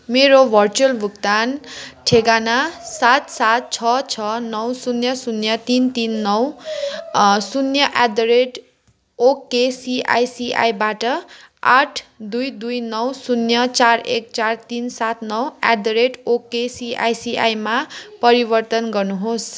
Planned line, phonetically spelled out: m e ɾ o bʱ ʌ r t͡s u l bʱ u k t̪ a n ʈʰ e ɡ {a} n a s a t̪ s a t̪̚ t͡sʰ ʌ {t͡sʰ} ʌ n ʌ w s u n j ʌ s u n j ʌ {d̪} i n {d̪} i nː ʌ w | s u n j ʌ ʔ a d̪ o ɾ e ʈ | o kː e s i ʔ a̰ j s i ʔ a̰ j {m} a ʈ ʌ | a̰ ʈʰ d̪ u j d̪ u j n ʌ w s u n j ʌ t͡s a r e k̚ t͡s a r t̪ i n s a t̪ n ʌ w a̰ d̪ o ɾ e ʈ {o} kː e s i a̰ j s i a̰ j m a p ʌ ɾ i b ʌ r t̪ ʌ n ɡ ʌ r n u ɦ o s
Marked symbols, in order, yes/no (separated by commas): yes, yes, no, no, no, yes